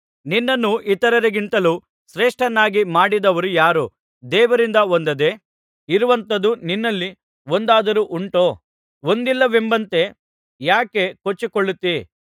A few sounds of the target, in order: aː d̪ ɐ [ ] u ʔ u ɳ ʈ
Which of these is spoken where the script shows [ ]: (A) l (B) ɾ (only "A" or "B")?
B